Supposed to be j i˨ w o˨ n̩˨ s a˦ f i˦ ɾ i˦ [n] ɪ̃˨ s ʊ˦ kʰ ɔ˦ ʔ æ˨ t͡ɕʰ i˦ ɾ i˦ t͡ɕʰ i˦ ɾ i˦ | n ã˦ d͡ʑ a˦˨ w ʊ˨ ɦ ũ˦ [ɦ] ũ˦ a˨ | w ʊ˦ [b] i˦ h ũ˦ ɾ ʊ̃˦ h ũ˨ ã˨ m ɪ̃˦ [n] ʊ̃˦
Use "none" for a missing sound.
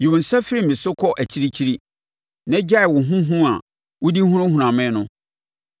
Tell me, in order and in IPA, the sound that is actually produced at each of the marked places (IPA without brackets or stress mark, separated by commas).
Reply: m, ɦ, d, n